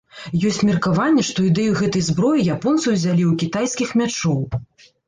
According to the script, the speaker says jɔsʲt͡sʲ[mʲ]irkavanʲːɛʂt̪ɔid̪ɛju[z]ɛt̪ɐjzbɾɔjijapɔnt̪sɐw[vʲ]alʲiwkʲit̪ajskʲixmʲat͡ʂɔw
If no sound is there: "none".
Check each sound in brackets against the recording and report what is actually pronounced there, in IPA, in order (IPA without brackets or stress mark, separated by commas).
mʲ, ɣ, zʲ